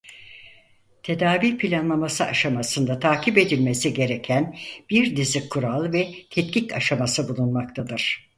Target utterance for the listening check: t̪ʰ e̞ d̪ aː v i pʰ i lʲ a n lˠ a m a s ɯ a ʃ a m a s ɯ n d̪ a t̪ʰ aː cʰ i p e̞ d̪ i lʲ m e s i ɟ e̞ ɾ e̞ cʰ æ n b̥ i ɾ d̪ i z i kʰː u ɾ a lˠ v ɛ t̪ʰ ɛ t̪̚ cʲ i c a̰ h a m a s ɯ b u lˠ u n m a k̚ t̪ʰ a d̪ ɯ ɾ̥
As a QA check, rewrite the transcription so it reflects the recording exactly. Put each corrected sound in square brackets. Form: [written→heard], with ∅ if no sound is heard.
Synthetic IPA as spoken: t̪ʰ e̞ d̪ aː v i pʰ i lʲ a n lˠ a m a s ɯ a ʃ a m a s ɯ n d̪ a t̪ʰ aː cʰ i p e̞ d̪ i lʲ m e s i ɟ e̞ ɾ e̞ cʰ æ n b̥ i ɾ d̪ i z i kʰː u ɾ a lˠ v ɛ t̪ʰ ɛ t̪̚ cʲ i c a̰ [h→ʃ] a m a s ɯ b u lˠ u n m a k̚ t̪ʰ a d̪ ɯ ɾ̥